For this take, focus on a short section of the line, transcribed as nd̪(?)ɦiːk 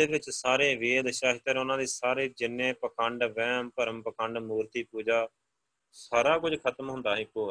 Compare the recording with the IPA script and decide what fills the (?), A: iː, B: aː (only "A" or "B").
B